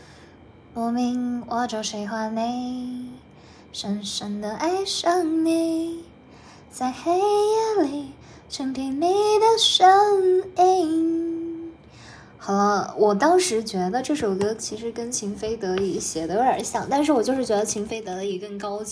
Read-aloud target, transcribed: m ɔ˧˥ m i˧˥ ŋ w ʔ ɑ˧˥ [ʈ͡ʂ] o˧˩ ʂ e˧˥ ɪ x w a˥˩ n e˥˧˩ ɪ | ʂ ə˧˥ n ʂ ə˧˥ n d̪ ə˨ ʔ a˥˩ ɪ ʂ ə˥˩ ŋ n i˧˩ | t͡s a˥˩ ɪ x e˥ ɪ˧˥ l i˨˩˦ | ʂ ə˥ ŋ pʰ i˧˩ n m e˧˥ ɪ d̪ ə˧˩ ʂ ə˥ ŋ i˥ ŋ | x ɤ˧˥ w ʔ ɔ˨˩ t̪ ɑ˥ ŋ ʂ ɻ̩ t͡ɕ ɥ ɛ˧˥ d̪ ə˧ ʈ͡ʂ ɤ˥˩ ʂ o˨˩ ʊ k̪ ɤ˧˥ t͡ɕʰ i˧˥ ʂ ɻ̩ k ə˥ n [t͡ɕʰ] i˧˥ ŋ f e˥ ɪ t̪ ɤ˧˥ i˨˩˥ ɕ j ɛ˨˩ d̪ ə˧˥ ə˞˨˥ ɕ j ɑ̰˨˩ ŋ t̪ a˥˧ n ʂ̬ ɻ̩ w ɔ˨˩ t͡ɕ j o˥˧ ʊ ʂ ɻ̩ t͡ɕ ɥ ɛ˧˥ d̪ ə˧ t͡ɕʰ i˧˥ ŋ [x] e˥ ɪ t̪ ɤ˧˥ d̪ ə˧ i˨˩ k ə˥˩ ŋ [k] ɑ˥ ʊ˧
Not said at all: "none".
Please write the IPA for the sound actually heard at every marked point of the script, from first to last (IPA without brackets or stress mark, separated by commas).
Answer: ʈ͡ʂ, t͡ɕʰ, f, k